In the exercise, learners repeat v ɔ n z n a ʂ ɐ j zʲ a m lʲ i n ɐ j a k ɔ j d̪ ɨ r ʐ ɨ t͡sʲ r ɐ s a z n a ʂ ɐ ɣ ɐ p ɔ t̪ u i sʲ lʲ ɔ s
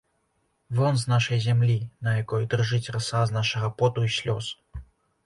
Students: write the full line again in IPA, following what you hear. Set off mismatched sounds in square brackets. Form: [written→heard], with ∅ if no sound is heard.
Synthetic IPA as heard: v ɔ n z n a ʂ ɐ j zʲ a m lʲ i n ɐ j a k ɔ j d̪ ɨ r ʐ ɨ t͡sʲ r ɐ s a z n a ʂ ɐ ɣ ɐ p ɔ t̪ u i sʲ lʲ ɔ s